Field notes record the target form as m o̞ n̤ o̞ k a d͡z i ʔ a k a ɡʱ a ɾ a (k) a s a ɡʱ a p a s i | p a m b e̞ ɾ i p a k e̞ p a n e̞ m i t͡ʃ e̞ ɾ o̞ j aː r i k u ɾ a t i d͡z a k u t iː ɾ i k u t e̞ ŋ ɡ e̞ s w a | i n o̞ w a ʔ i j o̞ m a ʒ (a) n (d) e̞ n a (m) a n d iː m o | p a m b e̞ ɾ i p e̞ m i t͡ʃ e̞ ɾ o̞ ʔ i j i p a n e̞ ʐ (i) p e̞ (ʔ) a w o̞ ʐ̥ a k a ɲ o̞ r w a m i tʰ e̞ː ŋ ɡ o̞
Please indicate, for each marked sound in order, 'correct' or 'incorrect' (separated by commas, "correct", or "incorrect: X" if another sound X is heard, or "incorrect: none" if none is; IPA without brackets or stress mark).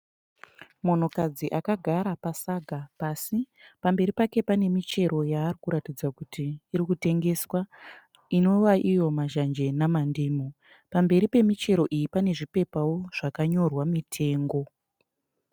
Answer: incorrect: p, correct, incorrect: d͡ʒ, correct, correct, incorrect: p